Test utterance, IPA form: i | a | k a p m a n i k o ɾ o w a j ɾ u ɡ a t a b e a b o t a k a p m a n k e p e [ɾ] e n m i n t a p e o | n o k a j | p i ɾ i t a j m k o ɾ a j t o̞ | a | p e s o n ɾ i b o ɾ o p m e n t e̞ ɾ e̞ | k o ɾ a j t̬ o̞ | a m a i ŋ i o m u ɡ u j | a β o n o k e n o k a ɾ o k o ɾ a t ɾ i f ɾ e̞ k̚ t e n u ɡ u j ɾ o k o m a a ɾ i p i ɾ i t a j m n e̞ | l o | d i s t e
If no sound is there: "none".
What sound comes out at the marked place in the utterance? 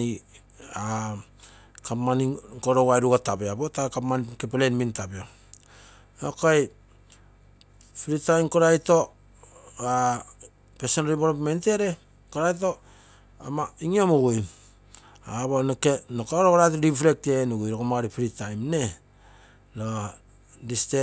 l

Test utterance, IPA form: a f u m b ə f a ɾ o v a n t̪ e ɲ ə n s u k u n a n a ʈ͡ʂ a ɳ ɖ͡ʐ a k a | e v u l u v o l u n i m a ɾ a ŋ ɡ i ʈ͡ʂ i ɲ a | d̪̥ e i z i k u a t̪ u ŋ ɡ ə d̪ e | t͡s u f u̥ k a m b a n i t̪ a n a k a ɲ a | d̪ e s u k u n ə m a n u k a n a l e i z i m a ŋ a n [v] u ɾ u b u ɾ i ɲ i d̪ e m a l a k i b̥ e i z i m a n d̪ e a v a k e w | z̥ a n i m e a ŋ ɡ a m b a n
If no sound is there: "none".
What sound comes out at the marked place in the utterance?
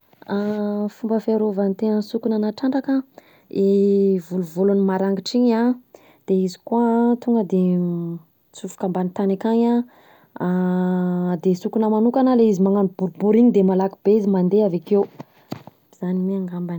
b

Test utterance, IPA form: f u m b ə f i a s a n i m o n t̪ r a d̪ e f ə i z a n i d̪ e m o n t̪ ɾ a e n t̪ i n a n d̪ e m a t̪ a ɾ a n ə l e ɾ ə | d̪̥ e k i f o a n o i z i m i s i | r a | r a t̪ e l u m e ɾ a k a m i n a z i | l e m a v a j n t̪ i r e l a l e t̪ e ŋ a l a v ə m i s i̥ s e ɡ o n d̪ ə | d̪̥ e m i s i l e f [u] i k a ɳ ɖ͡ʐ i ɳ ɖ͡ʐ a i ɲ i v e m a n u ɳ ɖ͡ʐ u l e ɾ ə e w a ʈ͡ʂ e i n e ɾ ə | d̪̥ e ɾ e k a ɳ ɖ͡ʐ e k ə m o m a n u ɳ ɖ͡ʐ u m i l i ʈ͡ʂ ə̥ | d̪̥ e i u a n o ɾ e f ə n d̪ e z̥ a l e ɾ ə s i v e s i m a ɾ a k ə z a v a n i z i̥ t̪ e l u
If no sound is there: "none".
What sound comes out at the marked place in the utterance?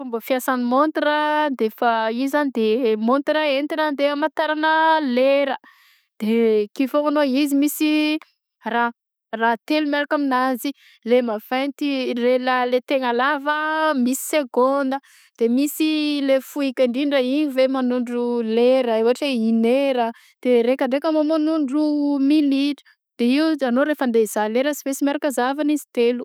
u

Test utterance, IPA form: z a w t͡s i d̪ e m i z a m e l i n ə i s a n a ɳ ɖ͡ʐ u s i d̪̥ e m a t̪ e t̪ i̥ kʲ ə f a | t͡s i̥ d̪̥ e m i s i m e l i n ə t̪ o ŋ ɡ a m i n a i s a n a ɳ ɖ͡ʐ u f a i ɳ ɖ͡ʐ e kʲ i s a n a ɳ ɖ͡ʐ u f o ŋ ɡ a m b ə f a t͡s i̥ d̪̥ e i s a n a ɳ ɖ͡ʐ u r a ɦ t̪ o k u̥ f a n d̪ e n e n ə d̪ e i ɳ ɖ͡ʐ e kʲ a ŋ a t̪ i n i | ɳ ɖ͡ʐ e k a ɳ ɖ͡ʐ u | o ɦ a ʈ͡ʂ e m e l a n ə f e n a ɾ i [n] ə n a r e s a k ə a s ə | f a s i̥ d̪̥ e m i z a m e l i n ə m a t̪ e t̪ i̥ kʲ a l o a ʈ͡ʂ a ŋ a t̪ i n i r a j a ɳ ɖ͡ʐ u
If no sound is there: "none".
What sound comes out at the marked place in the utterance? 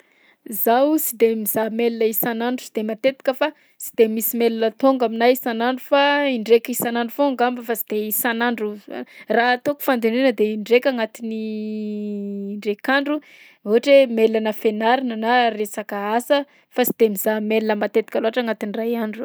n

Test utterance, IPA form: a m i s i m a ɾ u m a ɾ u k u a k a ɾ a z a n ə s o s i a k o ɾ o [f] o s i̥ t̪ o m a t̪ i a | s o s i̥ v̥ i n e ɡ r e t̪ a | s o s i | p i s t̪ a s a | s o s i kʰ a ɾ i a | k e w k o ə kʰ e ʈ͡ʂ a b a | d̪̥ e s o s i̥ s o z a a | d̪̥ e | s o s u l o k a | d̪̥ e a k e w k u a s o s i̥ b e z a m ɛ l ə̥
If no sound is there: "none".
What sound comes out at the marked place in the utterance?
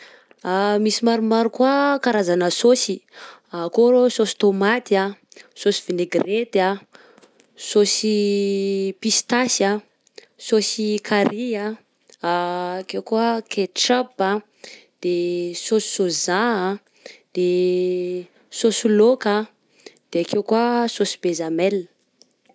s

